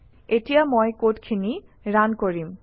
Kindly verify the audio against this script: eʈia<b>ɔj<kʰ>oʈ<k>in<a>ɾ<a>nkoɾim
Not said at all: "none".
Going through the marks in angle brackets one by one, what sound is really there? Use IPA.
m, k, kʰ, i, a

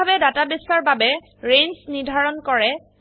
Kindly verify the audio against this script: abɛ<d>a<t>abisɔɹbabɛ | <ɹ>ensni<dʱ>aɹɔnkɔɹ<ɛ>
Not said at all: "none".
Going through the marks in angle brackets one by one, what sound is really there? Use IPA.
d, t, ɹ, dʱ, ɛ

